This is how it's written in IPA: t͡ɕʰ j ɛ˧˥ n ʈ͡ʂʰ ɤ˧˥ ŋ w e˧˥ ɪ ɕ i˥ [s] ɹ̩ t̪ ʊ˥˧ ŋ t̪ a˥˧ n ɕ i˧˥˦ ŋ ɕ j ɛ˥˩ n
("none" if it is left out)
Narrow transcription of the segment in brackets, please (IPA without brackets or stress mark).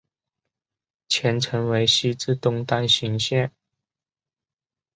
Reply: t͡s